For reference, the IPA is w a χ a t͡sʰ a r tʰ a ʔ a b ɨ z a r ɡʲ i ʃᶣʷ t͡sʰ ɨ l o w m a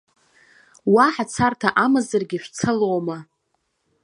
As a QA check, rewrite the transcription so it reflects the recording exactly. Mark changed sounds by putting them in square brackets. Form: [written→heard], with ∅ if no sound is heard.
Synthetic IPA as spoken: w a [χ→ħ] a t͡sʰ a r tʰ a ʔ a [b→m] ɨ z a r ɡʲ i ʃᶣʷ t͡sʰ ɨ l o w m a